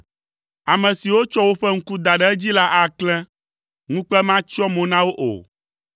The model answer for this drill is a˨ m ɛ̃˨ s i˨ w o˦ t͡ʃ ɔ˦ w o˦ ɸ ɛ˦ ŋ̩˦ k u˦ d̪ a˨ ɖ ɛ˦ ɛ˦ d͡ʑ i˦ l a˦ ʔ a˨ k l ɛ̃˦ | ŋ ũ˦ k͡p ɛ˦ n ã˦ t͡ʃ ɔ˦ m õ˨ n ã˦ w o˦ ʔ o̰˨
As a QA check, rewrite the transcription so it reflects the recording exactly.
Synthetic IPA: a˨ m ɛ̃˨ s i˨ w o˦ t͡ʃ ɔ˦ w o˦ ɸ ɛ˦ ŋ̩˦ k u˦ d̪ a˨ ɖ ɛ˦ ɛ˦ d͡ʑ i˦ l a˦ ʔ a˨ k l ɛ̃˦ | ŋ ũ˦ k͡p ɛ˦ m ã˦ t͡ʃ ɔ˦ m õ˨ n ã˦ w o˦ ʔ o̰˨